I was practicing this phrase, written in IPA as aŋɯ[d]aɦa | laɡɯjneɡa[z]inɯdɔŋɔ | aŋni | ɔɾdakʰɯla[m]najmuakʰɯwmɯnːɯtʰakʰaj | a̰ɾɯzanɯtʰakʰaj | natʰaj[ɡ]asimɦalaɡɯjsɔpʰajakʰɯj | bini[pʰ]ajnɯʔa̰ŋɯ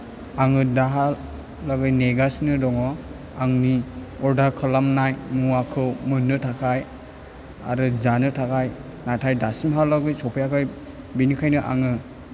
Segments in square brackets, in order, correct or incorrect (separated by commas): correct, incorrect, correct, incorrect, incorrect